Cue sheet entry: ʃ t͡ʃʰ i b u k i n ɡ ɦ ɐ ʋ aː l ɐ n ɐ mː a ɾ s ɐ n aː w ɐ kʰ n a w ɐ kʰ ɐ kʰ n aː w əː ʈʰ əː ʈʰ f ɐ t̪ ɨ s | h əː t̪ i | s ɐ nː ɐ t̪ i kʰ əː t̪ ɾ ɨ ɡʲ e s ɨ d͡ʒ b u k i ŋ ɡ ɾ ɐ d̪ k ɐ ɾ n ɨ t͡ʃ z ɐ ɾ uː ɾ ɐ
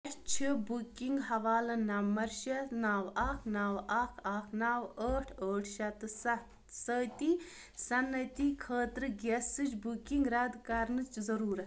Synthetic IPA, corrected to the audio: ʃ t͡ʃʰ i b u k i ŋ ɡ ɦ ɐ ʋ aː l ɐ n ɐ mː ɐ ɾ ʃ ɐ n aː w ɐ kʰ n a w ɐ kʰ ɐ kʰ n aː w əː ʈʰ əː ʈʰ ʃ ɐ t̪ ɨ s | s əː t̪ i | s ɐ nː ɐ t̪ i kʰ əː t̪ ɾ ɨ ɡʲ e s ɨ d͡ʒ b u k i ŋ ɡ ɾ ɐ d̪ k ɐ ɾ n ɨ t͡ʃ z ɐ ɾ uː ɾ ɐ